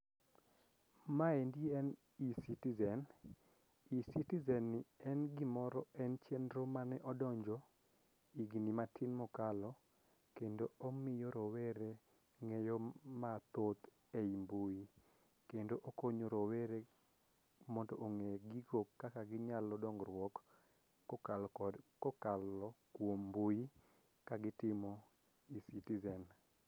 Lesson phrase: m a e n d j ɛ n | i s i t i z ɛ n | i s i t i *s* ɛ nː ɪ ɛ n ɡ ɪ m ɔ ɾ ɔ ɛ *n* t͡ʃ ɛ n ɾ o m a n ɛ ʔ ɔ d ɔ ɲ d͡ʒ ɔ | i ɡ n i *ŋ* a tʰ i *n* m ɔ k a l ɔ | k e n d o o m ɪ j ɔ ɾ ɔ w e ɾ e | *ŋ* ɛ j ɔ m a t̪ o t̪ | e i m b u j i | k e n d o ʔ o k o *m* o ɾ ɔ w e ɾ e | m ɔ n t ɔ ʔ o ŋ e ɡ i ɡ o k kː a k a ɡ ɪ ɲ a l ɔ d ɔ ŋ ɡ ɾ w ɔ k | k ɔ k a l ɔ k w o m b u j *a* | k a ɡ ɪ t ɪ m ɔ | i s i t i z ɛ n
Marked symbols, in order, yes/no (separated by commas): no, yes, no, yes, yes, no, no